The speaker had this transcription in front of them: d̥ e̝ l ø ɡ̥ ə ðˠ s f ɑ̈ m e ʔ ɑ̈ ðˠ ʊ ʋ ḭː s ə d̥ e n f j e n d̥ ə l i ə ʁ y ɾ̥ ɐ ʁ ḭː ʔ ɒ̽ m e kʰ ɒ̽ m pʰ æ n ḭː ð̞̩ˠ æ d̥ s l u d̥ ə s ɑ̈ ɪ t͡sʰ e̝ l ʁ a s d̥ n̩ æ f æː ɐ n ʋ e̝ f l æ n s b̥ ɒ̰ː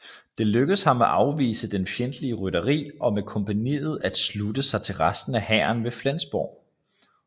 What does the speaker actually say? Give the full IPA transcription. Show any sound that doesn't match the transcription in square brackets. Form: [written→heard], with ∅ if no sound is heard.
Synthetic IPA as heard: d̥ e̝ l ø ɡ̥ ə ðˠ s [f→h] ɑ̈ m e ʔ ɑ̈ [ðˠ→∅] ʊ ʋ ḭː s ə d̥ e n f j e n d̥ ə l i ə ʁ y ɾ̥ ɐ ʁ ḭː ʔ ɒ̽ m e kʰ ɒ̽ m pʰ æ n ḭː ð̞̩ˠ æ d̥ s l u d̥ ə s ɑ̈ ɪ t͡sʰ e̝ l ʁ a s d̥ n̩ æ [f→h] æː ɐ n ʋ e̝ f l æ n s b̥ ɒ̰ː

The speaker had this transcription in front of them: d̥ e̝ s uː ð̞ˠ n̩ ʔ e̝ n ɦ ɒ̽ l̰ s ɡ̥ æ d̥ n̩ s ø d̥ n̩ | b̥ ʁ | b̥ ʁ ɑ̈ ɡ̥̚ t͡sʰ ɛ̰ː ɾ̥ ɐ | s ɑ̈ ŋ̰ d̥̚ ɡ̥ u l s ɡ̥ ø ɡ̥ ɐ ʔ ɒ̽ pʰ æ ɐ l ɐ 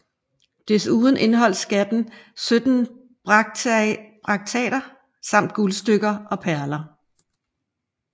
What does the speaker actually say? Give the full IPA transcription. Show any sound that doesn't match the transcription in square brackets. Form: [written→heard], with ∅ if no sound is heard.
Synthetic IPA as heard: d̥ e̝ s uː ð̞ˠ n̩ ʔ e̝ n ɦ ɒ̽ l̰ s ɡ̥ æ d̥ n̩ s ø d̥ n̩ | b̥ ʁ | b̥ ʁ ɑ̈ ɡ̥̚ t͡sʰ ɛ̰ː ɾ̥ ɐ | s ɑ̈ [ŋ̰→m̰] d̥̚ ɡ̥ u l s [ɡ̥→d̥] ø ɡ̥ ɐ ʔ ɒ̽ pʰ æ ɐ l ɐ

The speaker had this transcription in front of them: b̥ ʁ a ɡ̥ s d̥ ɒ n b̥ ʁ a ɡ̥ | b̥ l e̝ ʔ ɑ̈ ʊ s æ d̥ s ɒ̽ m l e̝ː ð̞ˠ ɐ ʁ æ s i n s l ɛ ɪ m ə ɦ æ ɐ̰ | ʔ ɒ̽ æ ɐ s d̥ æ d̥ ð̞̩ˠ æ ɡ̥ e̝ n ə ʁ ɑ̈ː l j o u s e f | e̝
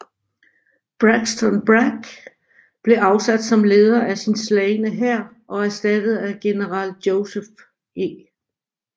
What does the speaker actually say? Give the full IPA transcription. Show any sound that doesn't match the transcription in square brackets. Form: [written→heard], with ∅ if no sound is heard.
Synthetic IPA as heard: b̥ ʁ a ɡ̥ s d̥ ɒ n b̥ ʁ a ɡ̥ | b̥ l e̝ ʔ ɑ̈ ʊ s æ d̥ s ɒ̽ m l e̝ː ð̞ˠ ɐ [ʁ→∅] æ s i n s l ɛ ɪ [m→n] ə ɦ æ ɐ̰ | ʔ ɒ̽ æ ɐ s d̥ æ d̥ ð̞̩ˠ æ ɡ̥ e̝ n ə ʁ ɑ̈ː l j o [u→ʊ] s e f | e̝

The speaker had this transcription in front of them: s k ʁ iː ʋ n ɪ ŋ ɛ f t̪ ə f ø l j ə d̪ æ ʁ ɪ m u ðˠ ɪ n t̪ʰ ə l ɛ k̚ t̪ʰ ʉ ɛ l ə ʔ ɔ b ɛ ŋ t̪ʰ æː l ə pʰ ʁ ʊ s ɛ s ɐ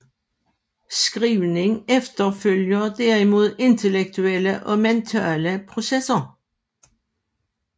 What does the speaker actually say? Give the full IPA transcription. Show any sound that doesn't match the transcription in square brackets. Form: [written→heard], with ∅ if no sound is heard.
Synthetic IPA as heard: s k ʁ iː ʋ n ɪ ŋ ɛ f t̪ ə f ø l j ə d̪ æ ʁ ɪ m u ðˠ ɪ n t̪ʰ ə l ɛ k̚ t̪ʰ ʉ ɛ l ə ʔ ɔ [b→m] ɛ [ŋ→n] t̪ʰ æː l ə pʰ ʁ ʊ s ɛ s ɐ

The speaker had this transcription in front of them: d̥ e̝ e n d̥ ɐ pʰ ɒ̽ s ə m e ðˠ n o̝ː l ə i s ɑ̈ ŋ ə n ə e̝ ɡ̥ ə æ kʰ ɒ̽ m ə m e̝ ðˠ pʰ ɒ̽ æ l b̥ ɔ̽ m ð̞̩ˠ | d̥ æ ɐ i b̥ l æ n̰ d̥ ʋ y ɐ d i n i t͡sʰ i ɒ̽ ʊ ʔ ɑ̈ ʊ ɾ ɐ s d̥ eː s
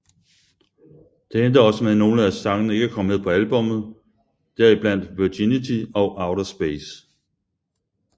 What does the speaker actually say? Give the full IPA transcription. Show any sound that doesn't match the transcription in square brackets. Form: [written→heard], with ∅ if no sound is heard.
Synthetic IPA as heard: d̥ e̝ e n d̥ ɐ [pʰ→∅] ɒ̽ s ə m e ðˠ n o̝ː l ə [i→æ] s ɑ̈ ŋ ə n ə e̝ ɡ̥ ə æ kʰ ɒ̽ m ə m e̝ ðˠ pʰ ɒ̽ æ l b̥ ɔ̽ m ð̞̩ˠ | d̥ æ ɐ i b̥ l æ n̰ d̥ ʋ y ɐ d i n i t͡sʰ i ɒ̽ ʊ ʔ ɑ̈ ʊ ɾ ɐ s [d̥→b̥] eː s

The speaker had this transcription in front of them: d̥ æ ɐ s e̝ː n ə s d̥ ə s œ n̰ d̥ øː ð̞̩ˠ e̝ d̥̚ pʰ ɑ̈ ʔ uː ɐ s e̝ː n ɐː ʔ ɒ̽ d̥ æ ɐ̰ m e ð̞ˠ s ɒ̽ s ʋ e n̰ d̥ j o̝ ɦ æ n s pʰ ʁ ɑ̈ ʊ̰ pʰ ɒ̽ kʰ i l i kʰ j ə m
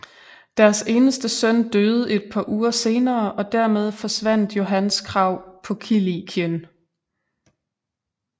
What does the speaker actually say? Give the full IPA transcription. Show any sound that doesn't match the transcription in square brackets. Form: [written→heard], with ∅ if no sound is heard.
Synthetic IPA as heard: d̥ æ ɐ s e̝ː n ə s d̥ ə s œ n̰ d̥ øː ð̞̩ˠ e̝ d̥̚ pʰ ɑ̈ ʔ uː ɐ s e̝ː n ɐː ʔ ɒ̽ d̥ æ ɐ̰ m e ð̞ˠ [s→f] ɒ̽ s ʋ [e→æ] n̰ d̥ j o̝ ɦ æ n s [pʰ→kʰ] ʁ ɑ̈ ʊ̰ pʰ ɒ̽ kʰ i l i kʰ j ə [m→n]

